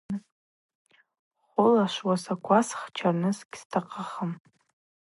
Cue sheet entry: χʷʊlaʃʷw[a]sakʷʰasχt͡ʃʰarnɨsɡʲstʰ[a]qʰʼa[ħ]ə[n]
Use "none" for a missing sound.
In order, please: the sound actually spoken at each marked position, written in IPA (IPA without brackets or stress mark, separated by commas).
a, a, χ, m